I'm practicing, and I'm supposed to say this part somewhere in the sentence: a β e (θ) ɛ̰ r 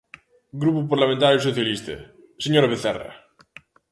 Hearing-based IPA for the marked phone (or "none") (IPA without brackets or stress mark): θ